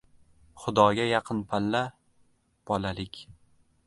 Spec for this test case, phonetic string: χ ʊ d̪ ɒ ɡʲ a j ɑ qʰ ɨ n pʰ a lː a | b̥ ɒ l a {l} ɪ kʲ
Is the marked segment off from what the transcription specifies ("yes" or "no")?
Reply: no